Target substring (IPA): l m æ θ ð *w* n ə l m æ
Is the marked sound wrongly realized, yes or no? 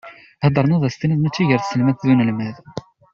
yes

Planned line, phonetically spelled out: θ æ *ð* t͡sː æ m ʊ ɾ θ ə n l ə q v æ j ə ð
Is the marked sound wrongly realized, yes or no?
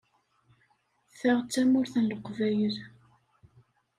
yes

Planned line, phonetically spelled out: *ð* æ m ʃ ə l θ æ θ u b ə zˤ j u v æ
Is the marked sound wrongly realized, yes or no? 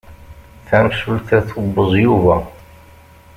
yes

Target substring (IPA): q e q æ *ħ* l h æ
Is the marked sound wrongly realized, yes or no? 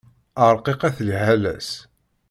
yes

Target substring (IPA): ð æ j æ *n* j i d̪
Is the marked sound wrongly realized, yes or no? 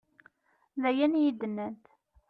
no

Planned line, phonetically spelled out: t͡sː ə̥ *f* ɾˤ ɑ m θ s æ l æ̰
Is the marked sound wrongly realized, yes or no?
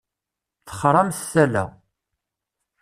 yes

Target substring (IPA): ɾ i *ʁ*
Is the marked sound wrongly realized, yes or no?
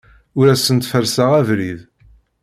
yes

